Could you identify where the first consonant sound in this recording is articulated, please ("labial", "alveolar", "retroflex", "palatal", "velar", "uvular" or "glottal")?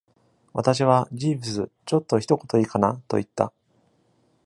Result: labial